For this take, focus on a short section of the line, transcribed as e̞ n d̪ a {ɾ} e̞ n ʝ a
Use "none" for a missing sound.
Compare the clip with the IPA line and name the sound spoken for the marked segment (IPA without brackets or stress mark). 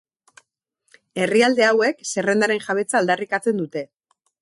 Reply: ɾ